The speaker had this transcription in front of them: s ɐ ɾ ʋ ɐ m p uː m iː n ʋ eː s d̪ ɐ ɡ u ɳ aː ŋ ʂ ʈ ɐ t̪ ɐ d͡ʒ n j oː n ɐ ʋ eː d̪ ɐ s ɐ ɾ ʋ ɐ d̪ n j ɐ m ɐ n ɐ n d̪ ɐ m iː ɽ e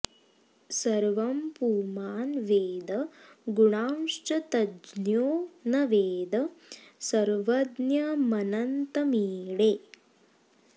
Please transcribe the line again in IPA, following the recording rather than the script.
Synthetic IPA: s ɐ ɾ ʋ ɐ m p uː m aː n ʋ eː d̪ ɐ ɡ u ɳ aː m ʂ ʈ ɐ t̪ ɐ d͡ʒ n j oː n ɐ ʋ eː d̪ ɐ s ɐ ɾ ʋ ɐ d̪ n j ɐ m ɐ n ɐ n t̪ ɐ m iː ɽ e